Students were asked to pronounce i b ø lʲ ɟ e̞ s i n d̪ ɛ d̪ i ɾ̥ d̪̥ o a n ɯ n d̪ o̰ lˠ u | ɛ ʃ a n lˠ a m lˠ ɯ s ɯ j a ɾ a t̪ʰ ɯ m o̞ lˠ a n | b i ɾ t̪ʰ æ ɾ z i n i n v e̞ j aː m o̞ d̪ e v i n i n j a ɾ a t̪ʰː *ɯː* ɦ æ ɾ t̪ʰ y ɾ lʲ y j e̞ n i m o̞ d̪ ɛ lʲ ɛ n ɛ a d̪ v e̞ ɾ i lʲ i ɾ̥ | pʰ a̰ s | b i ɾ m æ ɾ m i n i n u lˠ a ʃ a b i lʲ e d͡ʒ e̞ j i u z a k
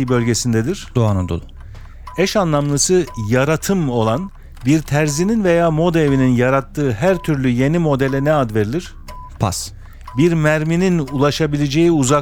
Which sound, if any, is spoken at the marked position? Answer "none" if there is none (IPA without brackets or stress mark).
ɯː